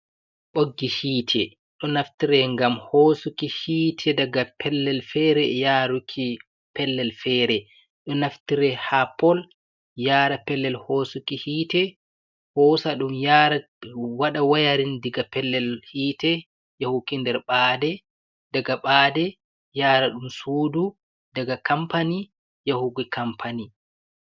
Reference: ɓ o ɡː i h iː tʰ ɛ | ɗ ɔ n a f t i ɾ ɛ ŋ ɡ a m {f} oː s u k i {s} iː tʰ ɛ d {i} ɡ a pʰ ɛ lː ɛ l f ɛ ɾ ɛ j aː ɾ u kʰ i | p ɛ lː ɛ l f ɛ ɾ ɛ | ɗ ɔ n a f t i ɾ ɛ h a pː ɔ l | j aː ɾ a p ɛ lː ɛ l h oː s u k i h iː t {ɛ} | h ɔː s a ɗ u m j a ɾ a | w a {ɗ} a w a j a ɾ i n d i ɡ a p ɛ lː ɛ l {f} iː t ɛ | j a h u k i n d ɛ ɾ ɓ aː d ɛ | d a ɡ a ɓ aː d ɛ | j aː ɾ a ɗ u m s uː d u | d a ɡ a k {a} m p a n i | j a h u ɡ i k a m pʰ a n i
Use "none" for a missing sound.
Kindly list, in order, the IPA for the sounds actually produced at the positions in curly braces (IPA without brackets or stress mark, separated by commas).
h, h, a, ɛ, ɗ, h, a